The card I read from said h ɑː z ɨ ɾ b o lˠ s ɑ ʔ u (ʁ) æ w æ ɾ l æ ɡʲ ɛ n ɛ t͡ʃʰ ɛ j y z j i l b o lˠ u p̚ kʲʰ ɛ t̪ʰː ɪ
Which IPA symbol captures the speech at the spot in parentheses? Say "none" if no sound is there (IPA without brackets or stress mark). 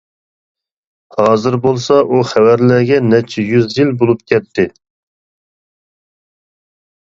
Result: χ